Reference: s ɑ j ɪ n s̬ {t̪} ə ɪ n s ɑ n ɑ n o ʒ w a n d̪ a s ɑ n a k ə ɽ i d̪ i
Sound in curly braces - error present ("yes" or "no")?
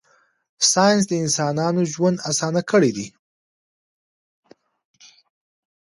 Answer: yes